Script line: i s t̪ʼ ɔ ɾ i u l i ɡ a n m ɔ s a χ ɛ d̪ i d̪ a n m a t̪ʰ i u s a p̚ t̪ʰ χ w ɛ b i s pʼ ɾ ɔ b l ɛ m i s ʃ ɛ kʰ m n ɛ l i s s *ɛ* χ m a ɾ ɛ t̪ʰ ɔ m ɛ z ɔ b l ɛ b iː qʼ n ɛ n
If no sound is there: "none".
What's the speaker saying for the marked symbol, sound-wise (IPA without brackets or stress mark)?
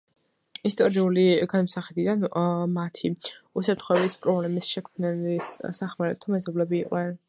a